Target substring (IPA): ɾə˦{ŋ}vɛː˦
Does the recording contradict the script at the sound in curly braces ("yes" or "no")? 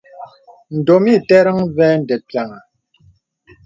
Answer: no